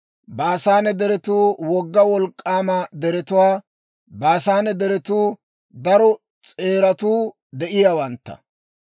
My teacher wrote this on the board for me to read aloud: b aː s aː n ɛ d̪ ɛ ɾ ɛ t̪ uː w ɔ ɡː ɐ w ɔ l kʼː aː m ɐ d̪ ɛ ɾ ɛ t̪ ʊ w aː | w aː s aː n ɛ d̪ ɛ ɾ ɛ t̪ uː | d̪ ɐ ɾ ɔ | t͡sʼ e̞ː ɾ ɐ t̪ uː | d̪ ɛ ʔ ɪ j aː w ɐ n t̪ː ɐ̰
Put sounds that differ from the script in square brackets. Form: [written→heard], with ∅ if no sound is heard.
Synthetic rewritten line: b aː s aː n ɛ d̪ ɛ ɾ ɛ t̪ uː w ɔ ɡː ɐ w ɔ l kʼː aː m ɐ d̪ ɛ ɾ ɛ t̪ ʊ w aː | [w→b] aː s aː n ɛ d̪ ɛ ɾ ɛ t̪ uː | d̪ ɐ ɾ ɔ | t͡sʼ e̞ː ɾ ɐ t̪ uː | d̪ ɛ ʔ ɪ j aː w ɐ n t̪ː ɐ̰

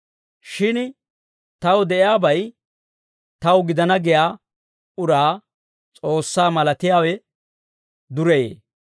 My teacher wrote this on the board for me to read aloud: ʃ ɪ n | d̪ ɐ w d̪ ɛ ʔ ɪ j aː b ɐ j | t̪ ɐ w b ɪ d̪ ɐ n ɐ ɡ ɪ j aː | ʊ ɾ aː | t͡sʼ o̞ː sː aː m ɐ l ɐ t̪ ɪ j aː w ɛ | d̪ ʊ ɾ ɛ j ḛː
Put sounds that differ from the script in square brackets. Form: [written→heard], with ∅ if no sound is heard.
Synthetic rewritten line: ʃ ɪ n | [d̪→t̪] ɐ w d̪ ɛ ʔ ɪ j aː b ɐ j | t̪ ɐ w [b→ɡ] ɪ d̪ ɐ n ɐ ɡ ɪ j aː | ʊ ɾ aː | t͡sʼ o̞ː sː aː m ɐ l ɐ t̪ ɪ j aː w ɛ | d̪ ʊ ɾ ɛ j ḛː

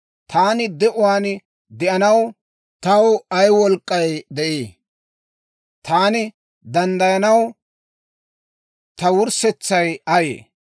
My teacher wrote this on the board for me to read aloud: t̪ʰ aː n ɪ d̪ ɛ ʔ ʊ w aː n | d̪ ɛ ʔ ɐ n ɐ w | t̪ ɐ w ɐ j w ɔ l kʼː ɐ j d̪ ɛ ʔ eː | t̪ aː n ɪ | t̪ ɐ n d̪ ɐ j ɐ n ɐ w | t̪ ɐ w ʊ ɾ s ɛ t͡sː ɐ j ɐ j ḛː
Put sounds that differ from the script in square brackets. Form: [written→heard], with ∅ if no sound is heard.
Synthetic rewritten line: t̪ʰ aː n ɪ d̪ ɛ ʔ ʊ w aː n | d̪ ɛ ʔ ɐ n ɐ w | t̪ ɐ w ɐ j w ɔ l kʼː ɐ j d̪ ɛ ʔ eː | t̪ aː n ɪ | [t̪→d̪] ɐ n d̪ ɐ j ɐ n ɐ w | t̪ ɐ w ʊ ɾ s ɛ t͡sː ɐ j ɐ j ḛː

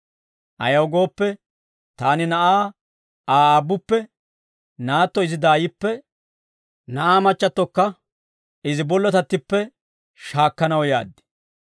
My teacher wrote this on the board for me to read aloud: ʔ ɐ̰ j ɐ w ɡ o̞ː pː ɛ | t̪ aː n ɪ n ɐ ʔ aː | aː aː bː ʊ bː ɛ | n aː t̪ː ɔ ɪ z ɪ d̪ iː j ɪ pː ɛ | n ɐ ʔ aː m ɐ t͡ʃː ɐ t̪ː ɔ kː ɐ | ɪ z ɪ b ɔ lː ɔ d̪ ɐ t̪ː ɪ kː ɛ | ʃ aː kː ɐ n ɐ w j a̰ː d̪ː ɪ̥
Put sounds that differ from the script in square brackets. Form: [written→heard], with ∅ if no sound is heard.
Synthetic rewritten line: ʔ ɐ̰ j ɐ w ɡ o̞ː pː ɛ | t̪ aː n ɪ n ɐ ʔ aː | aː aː bː ʊ [bː→pː] ɛ | n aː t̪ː ɔ ɪ z ɪ d̪ [iː→aː] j ɪ pː ɛ | n ɐ ʔ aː m ɐ t͡ʃː ɐ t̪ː ɔ kː ɐ | ɪ z ɪ b ɔ lː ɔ [d̪→t̪] ɐ t̪ː ɪ [kː→pː] ɛ | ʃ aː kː ɐ n ɐ w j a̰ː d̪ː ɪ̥

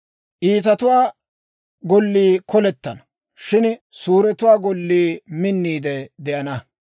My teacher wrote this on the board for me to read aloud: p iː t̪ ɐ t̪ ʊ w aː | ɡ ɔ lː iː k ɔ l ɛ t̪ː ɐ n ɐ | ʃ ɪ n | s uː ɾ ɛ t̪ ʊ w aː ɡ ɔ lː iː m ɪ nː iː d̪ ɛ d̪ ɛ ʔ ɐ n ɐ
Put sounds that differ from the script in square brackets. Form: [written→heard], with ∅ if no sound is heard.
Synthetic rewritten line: [p→ʔ] iː t̪ ɐ t̪ ʊ w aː | ɡ ɔ lː iː k ɔ l ɛ t̪ː ɐ n ɐ | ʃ ɪ n | s uː ɾ ɛ t̪ ʊ w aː ɡ ɔ lː iː m ɪ nː iː d̪ ɛ d̪ ɛ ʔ ɐ n ɐ

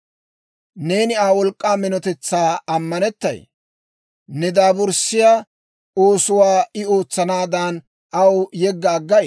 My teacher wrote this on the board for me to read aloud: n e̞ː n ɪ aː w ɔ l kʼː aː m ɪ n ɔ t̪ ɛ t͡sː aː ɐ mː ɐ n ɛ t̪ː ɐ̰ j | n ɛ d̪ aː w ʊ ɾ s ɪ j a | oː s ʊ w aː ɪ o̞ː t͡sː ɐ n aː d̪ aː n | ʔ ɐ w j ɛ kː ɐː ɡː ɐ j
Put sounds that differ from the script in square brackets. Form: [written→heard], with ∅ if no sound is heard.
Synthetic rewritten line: n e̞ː n ɪ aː w ɔ l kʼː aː m ɪ n ɔ t̪ ɛ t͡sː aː ɐ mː ɐ n ɛ t̪ː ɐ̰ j | n ɛ d̪ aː [w→b] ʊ ɾ s ɪ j a | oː s ʊ w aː ɪ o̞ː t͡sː ɐ n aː d̪ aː n | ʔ ɐ w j ɛ [kː→ɡː] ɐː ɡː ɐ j

